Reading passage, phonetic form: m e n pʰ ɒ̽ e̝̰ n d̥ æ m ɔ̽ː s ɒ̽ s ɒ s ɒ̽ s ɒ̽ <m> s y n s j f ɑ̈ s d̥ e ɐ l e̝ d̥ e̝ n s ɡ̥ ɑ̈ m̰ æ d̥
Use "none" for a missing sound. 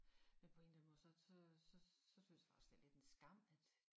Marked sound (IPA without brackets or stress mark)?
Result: none